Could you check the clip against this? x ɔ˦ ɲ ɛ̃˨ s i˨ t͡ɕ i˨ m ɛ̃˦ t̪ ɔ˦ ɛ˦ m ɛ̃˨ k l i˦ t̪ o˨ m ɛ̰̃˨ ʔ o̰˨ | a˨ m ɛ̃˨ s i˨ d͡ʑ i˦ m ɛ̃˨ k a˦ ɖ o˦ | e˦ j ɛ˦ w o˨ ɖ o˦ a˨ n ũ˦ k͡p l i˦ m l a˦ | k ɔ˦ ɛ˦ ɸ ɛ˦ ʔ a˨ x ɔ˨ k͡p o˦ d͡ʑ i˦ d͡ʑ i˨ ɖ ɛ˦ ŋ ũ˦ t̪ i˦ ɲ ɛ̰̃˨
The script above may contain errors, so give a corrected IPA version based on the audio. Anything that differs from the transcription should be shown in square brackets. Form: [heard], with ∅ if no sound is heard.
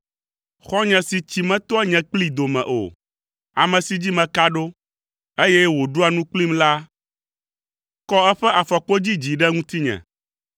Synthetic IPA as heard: x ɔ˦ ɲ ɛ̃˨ s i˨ t͡ɕ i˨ m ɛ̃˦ t̪ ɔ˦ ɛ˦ [ɲ] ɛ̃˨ [k͡p] l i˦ [d̪] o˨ m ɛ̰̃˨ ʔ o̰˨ | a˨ m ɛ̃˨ s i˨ d͡ʑ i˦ m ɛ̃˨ k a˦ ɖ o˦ | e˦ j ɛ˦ w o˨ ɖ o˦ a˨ n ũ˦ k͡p l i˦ m l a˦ | k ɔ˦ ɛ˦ ɸ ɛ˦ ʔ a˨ [f] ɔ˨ k͡p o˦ d͡ʑ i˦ d͡ʑ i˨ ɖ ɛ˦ ŋ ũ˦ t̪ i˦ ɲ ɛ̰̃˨